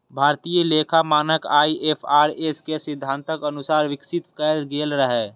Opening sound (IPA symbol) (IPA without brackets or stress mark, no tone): bʱ